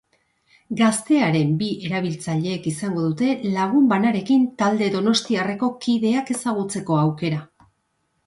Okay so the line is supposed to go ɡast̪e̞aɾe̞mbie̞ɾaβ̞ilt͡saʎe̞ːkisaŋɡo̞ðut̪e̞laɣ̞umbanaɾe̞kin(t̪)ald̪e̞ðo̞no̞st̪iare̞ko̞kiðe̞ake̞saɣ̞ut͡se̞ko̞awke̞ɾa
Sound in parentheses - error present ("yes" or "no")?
no